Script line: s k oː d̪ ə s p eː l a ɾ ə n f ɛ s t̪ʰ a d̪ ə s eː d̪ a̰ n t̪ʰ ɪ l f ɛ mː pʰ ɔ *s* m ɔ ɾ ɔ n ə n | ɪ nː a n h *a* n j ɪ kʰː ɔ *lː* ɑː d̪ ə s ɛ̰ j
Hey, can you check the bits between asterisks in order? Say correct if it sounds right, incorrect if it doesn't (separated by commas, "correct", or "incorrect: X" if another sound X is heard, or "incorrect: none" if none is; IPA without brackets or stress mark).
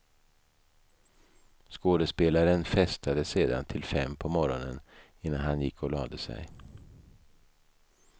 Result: incorrect: none, correct, incorrect: l